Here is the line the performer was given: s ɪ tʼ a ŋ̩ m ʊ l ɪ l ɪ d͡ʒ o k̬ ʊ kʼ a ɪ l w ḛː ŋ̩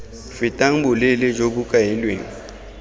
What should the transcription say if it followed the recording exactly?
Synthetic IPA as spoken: f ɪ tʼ a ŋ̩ b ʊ l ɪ l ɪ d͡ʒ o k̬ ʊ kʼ a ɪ l w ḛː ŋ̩